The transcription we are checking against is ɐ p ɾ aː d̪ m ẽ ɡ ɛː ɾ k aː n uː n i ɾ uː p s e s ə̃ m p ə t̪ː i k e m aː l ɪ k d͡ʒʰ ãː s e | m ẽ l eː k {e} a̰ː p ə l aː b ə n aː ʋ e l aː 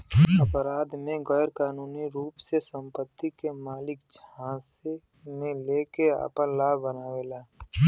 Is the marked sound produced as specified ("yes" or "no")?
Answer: yes